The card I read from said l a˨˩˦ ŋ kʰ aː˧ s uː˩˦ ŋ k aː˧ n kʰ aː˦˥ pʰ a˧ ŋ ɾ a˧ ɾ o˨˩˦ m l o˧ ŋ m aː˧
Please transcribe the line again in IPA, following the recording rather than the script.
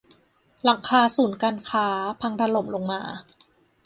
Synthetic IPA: l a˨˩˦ ŋ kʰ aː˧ s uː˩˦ n k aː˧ n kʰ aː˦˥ pʰ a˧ ŋ ɾ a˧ l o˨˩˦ m l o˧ ŋ m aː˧